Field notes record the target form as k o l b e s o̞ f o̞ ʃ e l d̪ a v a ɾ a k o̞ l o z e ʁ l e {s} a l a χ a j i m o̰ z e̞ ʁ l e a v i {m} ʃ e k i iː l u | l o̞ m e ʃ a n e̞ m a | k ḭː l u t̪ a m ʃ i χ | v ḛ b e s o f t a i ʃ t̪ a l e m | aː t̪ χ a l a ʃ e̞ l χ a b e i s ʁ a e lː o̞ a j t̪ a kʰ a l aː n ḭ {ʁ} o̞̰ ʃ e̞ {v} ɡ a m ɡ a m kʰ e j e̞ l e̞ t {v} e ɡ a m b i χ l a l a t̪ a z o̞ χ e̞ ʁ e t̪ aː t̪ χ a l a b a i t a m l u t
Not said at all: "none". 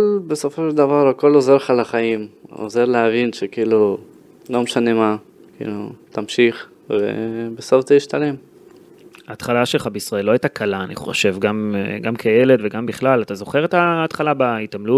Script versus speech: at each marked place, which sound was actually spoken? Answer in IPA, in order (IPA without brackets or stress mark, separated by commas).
χ, n, χ, v, v